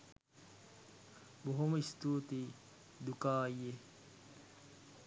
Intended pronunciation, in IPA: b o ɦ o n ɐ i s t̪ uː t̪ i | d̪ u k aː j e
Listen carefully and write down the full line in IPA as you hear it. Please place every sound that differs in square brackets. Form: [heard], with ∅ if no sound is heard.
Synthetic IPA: b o ɦ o [m] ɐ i s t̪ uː t̪ i | d̪ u k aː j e